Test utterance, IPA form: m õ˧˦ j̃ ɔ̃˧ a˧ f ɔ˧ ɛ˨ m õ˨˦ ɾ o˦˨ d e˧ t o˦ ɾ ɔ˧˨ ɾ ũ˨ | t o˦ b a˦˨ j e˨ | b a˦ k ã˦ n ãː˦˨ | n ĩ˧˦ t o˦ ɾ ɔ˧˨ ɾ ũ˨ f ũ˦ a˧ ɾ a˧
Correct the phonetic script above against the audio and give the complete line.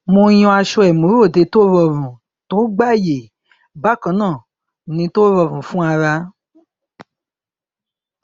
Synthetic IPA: m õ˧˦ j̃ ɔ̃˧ a˧ ʃ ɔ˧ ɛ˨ m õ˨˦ ɾ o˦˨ d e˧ t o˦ ɾ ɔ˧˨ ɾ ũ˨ | t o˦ ɡ͡b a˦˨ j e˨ | b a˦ k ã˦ n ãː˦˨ | n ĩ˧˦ t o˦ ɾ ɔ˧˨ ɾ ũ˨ f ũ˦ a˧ ɾ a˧